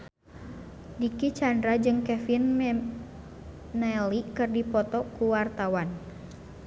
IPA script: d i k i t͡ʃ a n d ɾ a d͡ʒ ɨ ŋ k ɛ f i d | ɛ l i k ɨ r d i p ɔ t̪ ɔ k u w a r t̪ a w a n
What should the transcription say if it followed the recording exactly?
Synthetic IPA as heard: d i k i t͡ʃ a n d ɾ a d͡ʒ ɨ ŋ k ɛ f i n | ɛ l i k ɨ r d i p ɔ t̪ ɔ k u w a r t̪ a w a n